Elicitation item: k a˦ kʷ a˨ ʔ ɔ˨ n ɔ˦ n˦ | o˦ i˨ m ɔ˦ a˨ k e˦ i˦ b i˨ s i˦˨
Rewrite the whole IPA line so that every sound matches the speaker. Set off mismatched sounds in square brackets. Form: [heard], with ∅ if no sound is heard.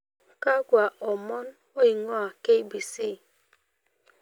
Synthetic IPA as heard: k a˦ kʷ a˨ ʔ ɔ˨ [m] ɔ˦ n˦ | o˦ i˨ [ŋ] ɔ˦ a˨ k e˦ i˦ b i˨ s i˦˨

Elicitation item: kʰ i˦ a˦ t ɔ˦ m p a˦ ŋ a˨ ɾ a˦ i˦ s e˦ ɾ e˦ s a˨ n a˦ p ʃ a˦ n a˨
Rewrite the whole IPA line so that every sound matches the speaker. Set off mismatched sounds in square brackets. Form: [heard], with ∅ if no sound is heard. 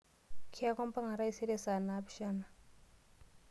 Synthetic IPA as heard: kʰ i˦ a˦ [k] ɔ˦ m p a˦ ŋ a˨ ɾ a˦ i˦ s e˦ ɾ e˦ s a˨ n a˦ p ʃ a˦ n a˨

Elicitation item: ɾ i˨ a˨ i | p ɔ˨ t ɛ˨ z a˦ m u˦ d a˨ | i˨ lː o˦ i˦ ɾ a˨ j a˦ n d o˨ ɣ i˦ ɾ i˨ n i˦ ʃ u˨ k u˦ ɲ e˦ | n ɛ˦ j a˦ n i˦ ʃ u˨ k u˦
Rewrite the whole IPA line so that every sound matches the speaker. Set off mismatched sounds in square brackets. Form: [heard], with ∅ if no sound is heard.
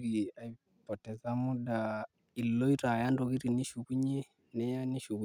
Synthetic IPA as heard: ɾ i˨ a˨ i | p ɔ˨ t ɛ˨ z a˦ m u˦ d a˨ | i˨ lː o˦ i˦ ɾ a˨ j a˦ n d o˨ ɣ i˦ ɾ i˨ n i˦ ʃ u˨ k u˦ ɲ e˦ | n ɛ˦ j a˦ n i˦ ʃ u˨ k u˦

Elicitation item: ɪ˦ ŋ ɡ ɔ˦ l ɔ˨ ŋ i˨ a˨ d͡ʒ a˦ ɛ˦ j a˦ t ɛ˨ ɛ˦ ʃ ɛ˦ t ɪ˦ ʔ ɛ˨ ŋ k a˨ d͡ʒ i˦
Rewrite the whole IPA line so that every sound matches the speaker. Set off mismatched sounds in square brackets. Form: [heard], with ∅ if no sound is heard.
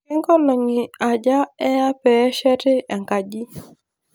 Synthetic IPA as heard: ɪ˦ ŋ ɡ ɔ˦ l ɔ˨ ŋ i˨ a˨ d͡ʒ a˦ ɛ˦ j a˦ [p] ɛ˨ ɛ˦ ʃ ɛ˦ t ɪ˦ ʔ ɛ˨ ŋ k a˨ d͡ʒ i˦

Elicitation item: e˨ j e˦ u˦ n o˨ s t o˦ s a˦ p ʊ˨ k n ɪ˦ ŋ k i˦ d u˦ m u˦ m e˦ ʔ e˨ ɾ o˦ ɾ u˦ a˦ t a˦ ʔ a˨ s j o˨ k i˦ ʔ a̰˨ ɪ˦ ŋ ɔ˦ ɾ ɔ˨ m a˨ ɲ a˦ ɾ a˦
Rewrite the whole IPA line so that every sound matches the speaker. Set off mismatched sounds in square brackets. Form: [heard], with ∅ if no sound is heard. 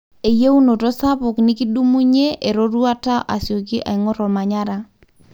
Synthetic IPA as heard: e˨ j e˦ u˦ n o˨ [∅] t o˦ s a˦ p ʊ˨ k n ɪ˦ [∅] k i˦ d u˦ m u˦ [ɲ] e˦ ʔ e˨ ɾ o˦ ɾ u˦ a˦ t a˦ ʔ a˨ s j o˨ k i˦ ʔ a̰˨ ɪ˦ ŋ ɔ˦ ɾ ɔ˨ m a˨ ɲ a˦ ɾ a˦

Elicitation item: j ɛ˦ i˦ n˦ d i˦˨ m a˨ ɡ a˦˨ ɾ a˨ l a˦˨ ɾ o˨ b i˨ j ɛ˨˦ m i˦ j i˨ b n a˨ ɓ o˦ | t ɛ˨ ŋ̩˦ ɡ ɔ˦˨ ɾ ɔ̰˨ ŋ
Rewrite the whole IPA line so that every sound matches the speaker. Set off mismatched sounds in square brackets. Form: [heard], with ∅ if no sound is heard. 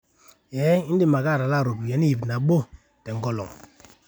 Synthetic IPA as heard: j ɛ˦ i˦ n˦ d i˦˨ m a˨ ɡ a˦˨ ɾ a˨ l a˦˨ ɾ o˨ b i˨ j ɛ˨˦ [n] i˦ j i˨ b n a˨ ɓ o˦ | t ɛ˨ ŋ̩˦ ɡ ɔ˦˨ [l] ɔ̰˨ ŋ

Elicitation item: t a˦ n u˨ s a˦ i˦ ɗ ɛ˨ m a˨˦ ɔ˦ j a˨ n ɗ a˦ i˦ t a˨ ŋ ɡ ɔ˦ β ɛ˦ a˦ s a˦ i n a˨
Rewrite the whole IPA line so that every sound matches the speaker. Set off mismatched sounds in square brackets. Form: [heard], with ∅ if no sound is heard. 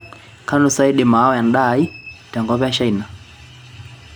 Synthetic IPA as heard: [k] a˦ n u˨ s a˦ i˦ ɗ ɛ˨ m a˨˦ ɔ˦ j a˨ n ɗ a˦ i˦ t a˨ ŋ ɡ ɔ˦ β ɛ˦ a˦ [ʃ] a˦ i n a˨

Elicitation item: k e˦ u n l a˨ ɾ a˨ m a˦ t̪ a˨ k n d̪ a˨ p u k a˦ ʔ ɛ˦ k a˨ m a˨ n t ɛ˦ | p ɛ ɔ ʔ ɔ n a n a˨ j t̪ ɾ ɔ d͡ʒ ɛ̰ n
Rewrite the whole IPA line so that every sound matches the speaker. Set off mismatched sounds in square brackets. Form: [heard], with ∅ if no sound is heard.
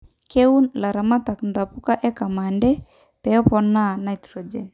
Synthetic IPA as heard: k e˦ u n l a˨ ɾ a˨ m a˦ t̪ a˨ k n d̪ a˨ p u k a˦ ʔ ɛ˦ k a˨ m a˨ n [d] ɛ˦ | p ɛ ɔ [p] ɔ n a n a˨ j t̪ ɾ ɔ d͡ʒ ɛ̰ n

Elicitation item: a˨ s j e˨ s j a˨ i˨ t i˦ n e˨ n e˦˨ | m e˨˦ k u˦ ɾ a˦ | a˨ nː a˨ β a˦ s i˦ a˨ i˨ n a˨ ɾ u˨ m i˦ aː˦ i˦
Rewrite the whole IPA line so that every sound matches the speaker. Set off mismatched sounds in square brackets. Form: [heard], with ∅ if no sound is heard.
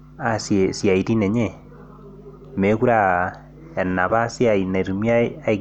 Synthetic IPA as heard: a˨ s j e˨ s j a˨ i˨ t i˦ n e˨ [ɲ] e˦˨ | m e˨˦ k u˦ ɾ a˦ | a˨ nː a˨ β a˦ s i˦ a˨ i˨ n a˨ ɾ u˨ m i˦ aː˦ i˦

